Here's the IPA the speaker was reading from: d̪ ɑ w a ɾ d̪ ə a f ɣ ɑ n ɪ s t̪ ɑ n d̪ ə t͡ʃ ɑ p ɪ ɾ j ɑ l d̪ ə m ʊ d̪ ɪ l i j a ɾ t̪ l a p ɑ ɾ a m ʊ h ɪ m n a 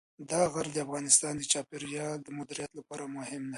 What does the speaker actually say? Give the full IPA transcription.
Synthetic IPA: d̪ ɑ ɣ a ɾ d̪ ə a f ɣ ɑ n ɪ s t̪ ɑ n d̪ ə t͡ʃ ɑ p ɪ ɾ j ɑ l d̪ ə m ʊ d̪ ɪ ɾ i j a t̪ l a p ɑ ɾ a m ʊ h ɪ m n a

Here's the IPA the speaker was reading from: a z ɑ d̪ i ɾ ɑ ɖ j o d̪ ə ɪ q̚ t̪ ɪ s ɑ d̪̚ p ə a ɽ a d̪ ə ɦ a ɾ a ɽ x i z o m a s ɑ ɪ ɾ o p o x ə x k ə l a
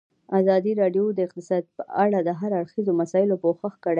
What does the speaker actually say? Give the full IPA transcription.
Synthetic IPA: a z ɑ d̪ i ɾ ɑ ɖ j o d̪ ə ɪ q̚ t̪ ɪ s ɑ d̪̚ p ə a ɽ a d̪ ə ɦ a ɾ a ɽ x i z o m a s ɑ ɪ l o p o x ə x k ə ɽ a

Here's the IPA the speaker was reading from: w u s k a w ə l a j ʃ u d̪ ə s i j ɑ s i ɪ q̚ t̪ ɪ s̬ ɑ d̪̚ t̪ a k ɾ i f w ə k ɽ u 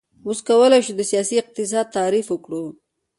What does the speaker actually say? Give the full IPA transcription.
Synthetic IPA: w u s k a w ə l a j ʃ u d̪ ə s i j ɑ s i ɪ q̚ t̪ ɪ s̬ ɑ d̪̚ t̪ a ɾ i f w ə k ɽ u

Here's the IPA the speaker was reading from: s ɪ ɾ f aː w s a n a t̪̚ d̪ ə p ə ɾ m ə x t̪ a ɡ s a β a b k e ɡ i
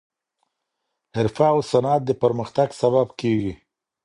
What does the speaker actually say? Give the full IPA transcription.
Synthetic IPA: h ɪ ɾ f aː w s a n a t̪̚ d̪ ə p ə ɾ m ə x t̪ a ɡ s a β a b k e ɡ i

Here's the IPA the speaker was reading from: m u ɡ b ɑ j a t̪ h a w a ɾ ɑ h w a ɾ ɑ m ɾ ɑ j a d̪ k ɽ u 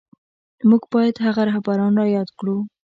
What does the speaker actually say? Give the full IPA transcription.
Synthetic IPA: m u ɡ b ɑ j a d̪ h a ɣ a ɾ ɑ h b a ɾ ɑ n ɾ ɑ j ɑ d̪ k ɽ u

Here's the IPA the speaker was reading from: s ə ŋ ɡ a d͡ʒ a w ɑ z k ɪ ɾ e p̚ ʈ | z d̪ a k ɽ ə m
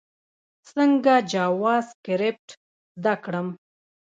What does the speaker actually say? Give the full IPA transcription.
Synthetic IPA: s ə ŋ ɡ a d͡ʒ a w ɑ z k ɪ ɾ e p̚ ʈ | z d̪ a k ɽ ə m

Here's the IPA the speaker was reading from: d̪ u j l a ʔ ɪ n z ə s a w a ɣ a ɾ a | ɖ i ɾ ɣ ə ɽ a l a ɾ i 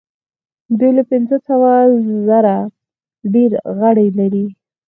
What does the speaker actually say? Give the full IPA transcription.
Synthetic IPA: d̪ u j l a p ɪ n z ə s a w a z a ɾ a | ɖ e ɾ ɣ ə ɽ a l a ɾ i

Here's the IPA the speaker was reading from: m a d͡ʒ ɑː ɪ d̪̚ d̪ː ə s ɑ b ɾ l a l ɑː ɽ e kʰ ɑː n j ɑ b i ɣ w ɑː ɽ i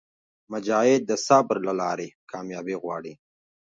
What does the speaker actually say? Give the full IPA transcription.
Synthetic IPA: m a d͡ʒ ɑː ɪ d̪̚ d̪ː ə s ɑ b ɾ l a l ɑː ɾ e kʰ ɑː m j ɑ b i ɣ w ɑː ɽ i

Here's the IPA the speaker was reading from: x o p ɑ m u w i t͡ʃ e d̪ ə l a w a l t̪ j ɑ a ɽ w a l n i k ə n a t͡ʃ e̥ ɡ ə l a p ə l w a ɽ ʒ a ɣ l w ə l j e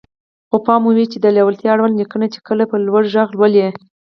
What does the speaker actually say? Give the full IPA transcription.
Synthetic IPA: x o p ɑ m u w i t͡ʃ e d̪ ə l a w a l t̪ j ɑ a ɽ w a l n i k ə n a t͡ʃ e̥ k ə l a p ə l w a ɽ ʒ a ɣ l w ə l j e

